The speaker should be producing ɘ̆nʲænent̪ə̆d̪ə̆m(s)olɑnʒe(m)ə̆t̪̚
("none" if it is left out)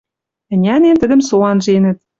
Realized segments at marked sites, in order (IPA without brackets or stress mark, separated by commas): s, n